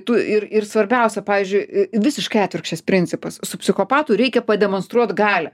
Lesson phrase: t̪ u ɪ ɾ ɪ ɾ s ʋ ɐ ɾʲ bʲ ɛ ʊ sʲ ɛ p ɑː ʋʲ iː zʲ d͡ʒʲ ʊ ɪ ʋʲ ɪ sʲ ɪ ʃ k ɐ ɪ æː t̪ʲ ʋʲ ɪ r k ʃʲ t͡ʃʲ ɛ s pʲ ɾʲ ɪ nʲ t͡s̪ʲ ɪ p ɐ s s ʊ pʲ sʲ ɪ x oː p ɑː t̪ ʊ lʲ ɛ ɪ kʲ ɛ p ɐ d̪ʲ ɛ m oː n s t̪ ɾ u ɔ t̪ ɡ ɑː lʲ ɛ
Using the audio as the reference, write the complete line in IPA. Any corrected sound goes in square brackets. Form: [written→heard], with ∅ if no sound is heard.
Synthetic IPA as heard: t̪ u ɪ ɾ ɪ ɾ s ʋ ɐ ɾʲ bʲ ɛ ʊ sʲ ɛ p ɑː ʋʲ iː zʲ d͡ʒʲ ʊ ɪ ʋʲ ɪ sʲ ɪ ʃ k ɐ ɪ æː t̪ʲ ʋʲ ɪ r k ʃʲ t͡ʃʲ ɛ s pʲ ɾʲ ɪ nʲ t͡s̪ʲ ɪ p ɐ s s ʊ pʲ sʲ ɪ x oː p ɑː t̪ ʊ [lʲ→ɾʲ] ɛ ɪ kʲ ɛ p ɐ d̪ʲ ɛ m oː n s t̪ ɾ u ɔ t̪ ɡ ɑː lʲ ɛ